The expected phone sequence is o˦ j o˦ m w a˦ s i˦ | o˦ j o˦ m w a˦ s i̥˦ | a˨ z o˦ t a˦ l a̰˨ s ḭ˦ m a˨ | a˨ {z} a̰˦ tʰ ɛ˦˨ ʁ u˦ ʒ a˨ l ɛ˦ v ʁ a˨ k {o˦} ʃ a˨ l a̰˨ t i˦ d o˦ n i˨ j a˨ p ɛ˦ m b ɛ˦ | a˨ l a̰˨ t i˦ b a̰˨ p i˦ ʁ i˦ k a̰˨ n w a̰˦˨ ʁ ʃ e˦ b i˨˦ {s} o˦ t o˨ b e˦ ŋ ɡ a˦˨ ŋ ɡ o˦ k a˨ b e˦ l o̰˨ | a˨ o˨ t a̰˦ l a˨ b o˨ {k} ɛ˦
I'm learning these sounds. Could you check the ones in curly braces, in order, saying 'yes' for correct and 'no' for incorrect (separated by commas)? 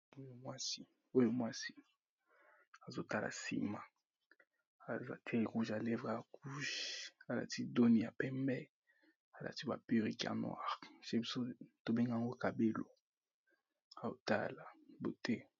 yes, no, yes, no